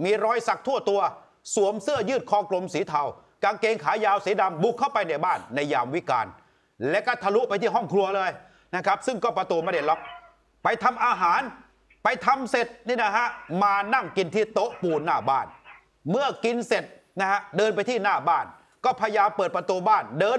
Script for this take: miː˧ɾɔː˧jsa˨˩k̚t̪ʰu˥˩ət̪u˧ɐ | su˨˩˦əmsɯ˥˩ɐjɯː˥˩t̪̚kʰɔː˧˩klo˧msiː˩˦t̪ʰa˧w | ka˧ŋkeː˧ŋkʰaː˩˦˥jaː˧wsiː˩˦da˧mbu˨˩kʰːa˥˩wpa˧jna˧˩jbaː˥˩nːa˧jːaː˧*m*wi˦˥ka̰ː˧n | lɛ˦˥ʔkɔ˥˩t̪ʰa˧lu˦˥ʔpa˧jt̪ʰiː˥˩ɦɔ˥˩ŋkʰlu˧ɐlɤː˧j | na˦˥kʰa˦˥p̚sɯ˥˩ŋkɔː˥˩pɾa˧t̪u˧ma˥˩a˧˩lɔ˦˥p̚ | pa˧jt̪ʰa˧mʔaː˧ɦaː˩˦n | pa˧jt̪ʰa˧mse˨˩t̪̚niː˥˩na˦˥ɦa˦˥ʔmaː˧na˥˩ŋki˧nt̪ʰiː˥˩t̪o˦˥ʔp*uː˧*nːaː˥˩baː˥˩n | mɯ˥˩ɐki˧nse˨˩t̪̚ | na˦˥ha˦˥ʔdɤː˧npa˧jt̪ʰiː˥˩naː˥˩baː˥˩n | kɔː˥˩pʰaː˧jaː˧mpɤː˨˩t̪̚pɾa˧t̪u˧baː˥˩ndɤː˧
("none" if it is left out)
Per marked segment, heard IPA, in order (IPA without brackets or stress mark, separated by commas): m, uː˧